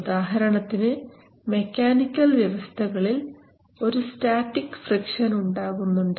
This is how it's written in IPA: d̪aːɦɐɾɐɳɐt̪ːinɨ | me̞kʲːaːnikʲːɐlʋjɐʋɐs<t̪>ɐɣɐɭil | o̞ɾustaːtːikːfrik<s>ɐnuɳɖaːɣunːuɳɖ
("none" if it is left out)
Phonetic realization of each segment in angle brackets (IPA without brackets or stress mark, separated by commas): t̪ʰ, ʂ